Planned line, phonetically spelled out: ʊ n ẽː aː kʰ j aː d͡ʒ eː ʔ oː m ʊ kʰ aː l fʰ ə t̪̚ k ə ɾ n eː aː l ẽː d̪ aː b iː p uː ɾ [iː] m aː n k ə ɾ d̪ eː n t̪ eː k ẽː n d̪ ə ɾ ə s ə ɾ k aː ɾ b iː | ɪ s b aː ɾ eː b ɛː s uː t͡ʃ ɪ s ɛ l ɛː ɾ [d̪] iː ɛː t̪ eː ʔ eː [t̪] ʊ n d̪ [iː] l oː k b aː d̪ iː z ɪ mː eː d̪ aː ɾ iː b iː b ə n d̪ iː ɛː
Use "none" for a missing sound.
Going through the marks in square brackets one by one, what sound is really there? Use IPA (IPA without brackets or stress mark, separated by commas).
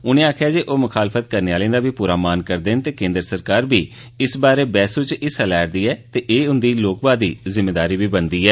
aː, d̪, none, iː